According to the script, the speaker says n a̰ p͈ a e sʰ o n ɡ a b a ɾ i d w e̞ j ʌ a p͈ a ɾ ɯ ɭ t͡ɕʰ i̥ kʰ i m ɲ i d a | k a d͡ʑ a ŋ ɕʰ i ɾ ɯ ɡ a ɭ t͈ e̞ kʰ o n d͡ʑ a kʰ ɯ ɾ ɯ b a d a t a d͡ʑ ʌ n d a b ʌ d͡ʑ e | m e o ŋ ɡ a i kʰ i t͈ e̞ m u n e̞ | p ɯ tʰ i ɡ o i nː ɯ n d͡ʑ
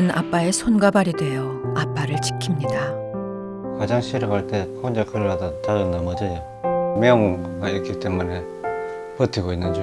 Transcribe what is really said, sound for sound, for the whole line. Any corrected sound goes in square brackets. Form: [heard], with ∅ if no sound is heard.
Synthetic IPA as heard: n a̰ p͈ a e sʰ o n ɡ a b a ɾ i d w e̞ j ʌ a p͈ a ɾ ɯ ɭ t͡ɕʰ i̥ kʰ i m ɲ i d a | k a d͡ʑ a ŋ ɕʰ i ɾ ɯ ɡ a ɭ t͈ e̞ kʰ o n d͡ʑ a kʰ ɯ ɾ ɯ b a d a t a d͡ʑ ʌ n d a [m] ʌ d͡ʑ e | m e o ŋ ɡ a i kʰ i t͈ e̞ m u n e̞ | p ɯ tʰ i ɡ o i nː ɯ n d͡ʑ